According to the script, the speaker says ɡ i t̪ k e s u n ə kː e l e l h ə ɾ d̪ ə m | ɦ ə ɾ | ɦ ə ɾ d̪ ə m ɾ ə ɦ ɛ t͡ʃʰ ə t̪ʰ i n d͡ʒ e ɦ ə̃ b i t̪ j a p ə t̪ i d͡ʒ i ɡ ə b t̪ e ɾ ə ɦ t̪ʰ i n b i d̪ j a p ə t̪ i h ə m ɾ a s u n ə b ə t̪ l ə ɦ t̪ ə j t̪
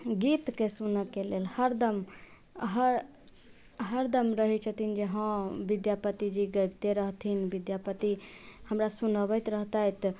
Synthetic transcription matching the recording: ɡ i t̪ k e s u n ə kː e l e l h ə ɾ d̪ ə m | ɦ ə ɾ | ɦ ə ɾ d̪ ə m ɾ ə ɦ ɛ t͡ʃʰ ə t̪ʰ i n d͡ʒ e ɦ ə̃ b i d̪ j a p ə t̪ i d͡ʒ i ɡ ə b t̪ e ɾ ə ɦ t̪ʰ i n b i d̪ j a p ə t̪ i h ə m ɾ a s u n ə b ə t̪ ɾ ə ɦ t̪ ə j t̪